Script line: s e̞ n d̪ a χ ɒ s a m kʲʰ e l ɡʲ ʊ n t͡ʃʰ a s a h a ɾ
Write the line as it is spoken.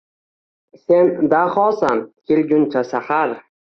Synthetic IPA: s e̞ n d̪ a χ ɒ s a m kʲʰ e l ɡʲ ʊ n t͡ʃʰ a s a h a ɾ

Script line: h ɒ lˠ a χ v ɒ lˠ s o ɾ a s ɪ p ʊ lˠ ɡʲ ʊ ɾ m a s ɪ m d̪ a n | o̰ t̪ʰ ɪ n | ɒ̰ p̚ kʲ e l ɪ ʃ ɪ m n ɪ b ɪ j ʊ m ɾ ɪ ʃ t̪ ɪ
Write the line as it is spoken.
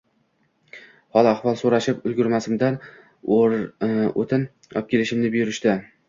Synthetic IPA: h ɒ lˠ a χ v ɒ lˠ s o ɾ a ʃ ɪ p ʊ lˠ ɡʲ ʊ ɾ m a s ɪ m d̪ a n | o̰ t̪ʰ ɪ n | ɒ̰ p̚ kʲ e l ɪ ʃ ɪ m n ɪ b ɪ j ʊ ɾ ɪ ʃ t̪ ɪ

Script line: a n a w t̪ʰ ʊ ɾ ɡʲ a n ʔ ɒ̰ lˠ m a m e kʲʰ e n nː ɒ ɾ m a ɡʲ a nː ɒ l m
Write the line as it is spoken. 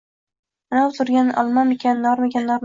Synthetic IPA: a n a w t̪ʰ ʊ ɾ ɡʲ a n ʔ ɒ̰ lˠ m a m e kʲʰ a n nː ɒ ɾ m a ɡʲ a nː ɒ ɾ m

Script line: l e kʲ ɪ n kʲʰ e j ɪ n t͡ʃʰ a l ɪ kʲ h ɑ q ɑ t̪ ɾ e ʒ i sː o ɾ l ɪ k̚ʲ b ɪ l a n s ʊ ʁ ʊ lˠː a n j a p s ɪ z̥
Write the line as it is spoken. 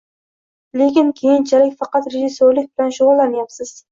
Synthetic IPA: l e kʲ ɪ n kʲʰ e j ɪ n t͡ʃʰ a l ɪ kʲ f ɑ q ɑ t̪ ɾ e ʒ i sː o ɾ l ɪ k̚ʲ b ɪ l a n ʃ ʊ ʁ ʊ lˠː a n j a p s ɪ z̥

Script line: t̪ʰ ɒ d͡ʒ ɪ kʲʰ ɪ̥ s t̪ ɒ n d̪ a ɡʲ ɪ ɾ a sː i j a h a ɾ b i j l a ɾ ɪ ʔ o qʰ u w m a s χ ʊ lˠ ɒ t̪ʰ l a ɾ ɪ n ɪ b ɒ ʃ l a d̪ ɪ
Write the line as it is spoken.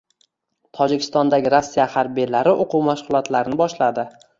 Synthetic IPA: t̪ʰ ɒ d͡ʒ ɪ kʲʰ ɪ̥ s t̪ ɒ n d̪ a ɡʲ ɪ ɾ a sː i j a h a ɾ b i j l a ɾ ɪ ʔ o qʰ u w m a ʃ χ ʊ lˠ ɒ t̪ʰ l a ɾ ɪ n ɪ b ɒ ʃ l a d̪ ɪ

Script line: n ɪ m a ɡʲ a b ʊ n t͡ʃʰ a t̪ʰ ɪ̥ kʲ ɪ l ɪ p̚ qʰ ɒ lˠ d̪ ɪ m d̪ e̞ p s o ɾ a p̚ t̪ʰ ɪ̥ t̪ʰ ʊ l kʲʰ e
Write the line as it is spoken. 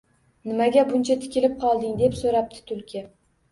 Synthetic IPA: n ɪ m a ɡʲ a b ʊ n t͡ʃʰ a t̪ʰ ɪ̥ kʲ ɪ l ɪ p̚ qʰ ɒ lˠ d̪ ɪ ŋ d̪ e̞ p s o ɾ a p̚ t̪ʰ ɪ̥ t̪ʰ ʊ l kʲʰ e

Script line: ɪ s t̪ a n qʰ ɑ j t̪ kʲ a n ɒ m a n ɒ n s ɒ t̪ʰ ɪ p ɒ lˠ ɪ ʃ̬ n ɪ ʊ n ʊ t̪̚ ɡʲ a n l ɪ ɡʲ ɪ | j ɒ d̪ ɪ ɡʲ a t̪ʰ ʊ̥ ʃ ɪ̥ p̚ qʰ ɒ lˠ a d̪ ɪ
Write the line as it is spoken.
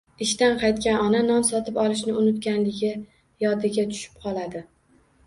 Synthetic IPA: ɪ ʃ t̪ a n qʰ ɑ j t̪ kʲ a n ɒ n a n ɒ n s ɒ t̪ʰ ɪ p ɒ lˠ ɪ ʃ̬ n ɪ ʊ n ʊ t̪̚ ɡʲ a n l ɪ ɡʲ ɪ | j ɒ d̪ ɪ ɡʲ a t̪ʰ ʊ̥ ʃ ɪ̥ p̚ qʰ ɒ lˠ a d̪ ɪ

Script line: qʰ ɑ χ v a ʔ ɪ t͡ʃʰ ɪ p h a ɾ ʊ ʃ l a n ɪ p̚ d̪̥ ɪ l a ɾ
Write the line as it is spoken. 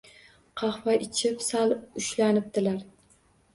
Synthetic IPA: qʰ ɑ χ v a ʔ ɪ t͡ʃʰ ɪ p s a l ʊ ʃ l a n ɪ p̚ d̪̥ ɪ l a ɾ

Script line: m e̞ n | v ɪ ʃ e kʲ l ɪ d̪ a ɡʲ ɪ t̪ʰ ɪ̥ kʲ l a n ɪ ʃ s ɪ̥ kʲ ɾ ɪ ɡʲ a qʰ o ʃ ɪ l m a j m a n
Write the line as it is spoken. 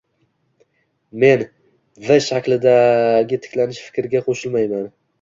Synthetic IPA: m e̞ n | v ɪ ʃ a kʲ l ɪ d̪ a ɡʲ ɪ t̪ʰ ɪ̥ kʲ l a n ɪ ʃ f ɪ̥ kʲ ɾ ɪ ɡʲ a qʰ o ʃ ɪ l m a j m a n

